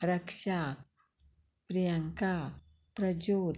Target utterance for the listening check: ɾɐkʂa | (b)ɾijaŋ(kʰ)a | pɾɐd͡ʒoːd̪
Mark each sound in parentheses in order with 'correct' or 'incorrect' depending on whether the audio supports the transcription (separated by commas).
incorrect, incorrect